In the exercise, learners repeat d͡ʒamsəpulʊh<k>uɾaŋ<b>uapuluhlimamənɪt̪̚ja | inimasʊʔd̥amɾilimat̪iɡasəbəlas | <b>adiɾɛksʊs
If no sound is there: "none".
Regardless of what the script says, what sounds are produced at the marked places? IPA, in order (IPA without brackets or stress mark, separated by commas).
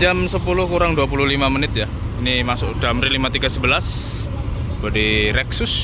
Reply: k, d, b